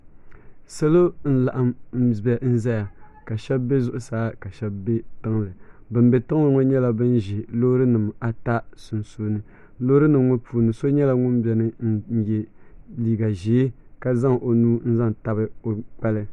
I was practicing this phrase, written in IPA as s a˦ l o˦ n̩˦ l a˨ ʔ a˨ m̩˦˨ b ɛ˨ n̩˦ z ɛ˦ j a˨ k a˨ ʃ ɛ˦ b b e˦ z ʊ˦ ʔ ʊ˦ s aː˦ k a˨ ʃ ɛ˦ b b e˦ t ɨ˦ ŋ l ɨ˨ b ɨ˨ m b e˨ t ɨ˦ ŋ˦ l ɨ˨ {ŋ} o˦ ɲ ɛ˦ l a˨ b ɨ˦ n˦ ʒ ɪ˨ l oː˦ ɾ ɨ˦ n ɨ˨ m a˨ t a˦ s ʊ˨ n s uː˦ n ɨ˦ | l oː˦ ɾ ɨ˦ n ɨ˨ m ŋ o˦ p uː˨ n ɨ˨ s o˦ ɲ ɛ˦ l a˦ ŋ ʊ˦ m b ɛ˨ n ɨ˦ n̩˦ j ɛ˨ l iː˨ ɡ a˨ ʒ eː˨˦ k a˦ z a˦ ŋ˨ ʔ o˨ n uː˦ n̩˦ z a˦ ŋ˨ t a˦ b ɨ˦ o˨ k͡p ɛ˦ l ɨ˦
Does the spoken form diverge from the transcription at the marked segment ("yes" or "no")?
no